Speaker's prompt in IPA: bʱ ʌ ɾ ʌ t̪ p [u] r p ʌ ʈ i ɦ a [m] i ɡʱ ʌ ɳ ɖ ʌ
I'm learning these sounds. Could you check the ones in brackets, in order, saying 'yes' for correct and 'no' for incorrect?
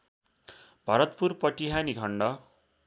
yes, no

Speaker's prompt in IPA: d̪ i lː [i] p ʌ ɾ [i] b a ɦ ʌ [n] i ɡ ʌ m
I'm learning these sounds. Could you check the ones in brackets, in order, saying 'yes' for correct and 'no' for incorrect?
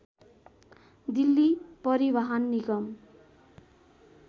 yes, yes, no

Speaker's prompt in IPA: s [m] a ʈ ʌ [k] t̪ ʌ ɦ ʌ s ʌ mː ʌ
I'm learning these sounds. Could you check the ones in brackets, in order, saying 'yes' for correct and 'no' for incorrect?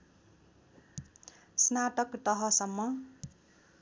no, yes

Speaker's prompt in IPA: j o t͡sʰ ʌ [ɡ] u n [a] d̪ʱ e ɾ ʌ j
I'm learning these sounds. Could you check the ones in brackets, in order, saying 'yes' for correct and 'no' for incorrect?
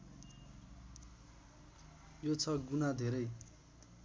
yes, yes

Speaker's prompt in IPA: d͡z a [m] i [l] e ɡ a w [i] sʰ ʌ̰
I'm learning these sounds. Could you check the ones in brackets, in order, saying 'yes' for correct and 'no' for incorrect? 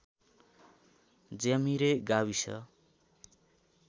yes, no, yes

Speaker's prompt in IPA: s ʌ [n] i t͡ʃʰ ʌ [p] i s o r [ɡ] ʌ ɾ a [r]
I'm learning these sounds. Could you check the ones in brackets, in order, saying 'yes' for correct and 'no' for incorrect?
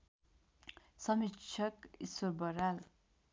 no, no, no, no

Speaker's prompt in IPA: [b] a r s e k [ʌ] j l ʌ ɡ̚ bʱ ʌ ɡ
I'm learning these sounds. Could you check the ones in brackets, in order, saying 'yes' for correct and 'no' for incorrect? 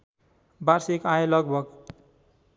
yes, no

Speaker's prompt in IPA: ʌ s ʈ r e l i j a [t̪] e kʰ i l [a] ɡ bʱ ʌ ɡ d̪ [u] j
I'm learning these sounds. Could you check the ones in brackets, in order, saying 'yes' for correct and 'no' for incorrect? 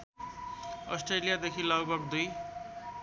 no, no, yes

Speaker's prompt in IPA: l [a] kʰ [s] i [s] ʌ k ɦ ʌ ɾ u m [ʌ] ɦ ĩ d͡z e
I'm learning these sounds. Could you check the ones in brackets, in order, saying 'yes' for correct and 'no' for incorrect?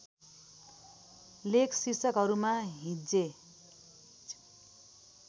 no, yes, yes, no

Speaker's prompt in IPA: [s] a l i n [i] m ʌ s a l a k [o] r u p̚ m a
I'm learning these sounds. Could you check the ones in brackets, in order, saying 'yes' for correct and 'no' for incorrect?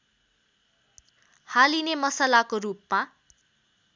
no, no, yes

